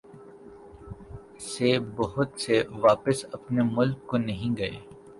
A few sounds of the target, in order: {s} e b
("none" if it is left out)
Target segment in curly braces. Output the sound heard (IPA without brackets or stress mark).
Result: s